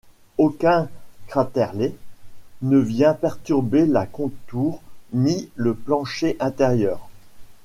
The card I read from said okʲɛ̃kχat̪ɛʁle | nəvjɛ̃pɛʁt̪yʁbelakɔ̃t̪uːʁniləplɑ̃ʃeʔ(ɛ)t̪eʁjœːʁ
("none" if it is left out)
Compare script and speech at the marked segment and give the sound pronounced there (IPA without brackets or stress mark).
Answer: ɛ̃